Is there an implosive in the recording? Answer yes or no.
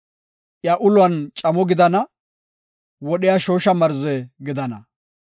yes